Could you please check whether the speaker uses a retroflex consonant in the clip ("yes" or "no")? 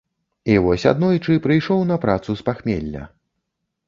yes